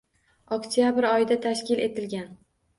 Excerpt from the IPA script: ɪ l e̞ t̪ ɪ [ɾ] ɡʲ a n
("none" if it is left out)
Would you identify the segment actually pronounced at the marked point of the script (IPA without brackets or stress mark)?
l